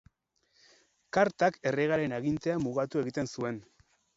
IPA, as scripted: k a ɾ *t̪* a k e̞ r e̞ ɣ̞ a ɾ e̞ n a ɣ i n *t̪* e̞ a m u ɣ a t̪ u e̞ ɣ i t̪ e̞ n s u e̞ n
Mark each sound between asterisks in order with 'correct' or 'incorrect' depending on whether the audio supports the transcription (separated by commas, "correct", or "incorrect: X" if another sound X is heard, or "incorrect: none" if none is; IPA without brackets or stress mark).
correct, correct